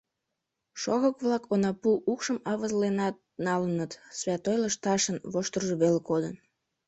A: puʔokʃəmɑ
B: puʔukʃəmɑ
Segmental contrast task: B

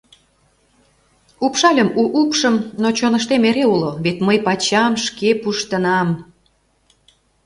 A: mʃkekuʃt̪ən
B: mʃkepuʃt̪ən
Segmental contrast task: B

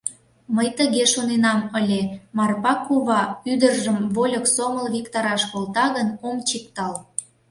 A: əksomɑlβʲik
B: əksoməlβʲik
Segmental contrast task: B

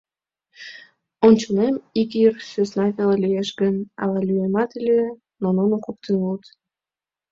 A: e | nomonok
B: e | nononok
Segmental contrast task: B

